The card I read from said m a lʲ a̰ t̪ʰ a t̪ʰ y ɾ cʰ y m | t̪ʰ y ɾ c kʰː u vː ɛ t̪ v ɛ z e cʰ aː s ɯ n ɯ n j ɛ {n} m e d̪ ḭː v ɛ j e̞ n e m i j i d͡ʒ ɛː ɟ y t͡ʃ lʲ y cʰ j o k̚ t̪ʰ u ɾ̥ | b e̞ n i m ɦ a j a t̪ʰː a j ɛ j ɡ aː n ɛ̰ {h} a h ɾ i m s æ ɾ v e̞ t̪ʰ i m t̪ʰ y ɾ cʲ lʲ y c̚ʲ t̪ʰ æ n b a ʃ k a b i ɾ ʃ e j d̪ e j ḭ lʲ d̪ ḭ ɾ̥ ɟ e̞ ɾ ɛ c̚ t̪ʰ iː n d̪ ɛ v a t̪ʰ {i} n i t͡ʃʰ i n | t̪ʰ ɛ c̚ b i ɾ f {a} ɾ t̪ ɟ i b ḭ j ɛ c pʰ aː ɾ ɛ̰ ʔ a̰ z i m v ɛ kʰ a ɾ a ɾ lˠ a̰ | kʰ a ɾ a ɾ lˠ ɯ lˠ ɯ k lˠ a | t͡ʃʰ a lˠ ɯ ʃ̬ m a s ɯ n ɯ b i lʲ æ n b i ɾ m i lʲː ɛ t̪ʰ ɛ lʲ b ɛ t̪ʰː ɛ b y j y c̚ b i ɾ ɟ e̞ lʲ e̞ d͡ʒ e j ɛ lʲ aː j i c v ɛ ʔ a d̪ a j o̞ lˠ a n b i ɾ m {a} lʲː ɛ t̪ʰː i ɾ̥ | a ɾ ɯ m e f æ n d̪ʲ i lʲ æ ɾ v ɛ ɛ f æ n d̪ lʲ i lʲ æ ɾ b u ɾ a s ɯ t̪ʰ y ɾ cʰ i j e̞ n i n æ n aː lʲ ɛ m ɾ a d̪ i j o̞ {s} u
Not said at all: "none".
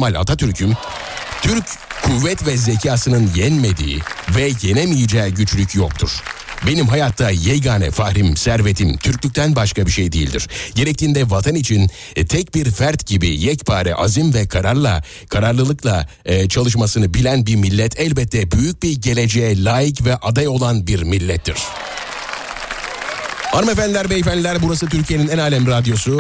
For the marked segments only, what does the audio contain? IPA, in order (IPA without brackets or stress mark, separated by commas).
n, f, a, æ, i, s